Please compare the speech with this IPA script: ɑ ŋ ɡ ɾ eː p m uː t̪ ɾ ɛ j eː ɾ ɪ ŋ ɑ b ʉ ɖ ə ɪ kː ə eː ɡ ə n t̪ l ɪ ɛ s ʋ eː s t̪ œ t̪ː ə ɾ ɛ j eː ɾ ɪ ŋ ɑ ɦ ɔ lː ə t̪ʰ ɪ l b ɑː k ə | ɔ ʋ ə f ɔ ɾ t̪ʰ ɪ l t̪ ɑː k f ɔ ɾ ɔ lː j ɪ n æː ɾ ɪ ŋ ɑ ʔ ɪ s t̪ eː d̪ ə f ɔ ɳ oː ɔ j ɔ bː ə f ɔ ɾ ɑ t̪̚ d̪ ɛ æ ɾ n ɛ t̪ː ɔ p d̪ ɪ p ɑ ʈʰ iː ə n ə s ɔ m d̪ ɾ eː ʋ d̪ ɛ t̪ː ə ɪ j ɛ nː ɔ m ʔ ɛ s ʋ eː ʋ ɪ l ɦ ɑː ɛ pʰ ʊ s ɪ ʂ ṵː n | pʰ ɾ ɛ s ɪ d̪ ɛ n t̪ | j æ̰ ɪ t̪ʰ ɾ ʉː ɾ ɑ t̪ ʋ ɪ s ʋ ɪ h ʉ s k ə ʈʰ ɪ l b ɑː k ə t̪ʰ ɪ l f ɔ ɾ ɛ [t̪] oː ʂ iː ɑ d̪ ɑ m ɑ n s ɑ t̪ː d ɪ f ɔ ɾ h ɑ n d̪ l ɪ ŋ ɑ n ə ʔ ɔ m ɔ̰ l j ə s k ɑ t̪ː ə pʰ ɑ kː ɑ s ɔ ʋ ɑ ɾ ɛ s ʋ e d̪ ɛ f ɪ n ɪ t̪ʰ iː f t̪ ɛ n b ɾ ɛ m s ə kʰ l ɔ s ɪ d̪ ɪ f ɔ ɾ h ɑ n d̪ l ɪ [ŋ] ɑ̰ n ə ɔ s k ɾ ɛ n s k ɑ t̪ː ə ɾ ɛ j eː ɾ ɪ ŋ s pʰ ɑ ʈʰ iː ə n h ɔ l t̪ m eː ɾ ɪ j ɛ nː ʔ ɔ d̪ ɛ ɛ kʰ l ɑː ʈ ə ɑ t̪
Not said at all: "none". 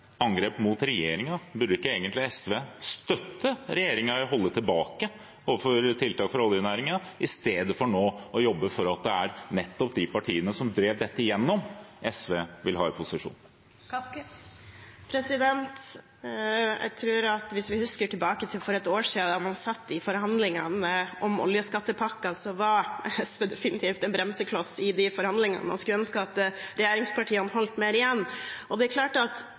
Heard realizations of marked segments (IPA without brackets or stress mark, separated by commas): t̪, ŋ